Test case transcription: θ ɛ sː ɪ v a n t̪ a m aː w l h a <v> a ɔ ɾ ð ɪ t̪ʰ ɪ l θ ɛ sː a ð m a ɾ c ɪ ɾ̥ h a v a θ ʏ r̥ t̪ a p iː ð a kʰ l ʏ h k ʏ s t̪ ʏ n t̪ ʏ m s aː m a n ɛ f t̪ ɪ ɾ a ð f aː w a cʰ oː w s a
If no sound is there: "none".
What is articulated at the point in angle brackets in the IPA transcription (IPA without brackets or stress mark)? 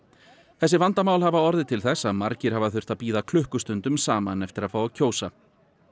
v